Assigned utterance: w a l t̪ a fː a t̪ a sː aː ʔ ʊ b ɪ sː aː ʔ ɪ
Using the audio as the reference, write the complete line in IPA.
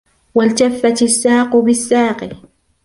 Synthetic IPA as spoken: w a l t̪ a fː a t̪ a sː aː q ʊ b ɪ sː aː q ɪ